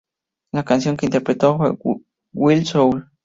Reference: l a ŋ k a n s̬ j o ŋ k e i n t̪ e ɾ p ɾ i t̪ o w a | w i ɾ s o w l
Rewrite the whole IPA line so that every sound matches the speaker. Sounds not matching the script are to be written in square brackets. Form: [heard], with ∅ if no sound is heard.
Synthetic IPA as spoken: l a [∅] k a n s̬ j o ŋ k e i n t̪ e ɾ p ɾ [e] t̪ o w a | w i [l] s o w l